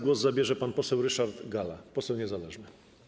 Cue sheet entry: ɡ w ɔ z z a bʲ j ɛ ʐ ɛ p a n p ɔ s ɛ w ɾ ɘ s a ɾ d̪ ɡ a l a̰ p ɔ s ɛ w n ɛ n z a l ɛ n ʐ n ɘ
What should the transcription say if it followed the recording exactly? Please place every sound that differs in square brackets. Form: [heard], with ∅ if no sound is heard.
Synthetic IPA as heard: ɡ w ɔ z z a bʲ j ɛ ʐ ɛ p a n p ɔ s ɛ w ɾ ɘ [ʂ] a ɾ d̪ ɡ a l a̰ p ɔ s ɛ w [ɲ] ɛ [∅] z a l ɛ [∅] ʐ n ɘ